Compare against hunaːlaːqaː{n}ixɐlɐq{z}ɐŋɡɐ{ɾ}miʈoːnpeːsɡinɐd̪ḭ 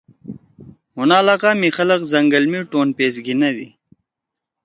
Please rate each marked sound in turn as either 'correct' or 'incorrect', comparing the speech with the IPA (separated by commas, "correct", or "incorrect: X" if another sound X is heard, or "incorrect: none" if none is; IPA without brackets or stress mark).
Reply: incorrect: m, correct, incorrect: l